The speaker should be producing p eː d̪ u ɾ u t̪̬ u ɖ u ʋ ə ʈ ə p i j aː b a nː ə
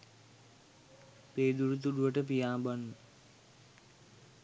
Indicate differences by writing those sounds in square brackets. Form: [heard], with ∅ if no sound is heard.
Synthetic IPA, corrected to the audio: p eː d̪ u ɾ u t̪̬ u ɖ u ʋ ə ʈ ə p i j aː b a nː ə